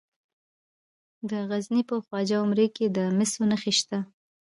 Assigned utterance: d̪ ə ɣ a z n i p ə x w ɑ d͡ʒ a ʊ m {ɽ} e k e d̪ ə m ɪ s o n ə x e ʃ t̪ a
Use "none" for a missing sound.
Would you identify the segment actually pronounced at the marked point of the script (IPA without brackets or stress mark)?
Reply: ɾ